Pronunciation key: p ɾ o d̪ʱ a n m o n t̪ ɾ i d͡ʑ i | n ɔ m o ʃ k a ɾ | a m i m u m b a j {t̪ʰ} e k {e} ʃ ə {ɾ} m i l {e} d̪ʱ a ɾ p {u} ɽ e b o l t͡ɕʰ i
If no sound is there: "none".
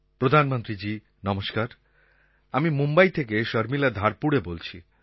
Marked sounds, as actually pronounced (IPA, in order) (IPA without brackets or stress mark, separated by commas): t̪ʰ, e, ɾ, a, u